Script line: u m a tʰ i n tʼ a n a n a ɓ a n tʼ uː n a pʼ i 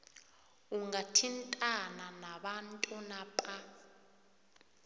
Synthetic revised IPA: u ŋ a tʰ i n tʼ a n a n a ɓ a n tʼ u n a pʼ a